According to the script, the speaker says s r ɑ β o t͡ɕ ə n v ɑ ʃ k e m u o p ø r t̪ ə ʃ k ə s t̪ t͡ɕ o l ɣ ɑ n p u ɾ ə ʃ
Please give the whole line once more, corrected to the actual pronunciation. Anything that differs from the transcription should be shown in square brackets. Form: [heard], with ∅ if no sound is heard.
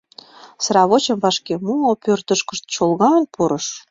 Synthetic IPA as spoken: s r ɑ β o t͡ɕ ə [m] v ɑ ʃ k e m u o p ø r t̪ ə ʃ k ə [ʃ] t̪ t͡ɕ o l ɣ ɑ n p u ɾ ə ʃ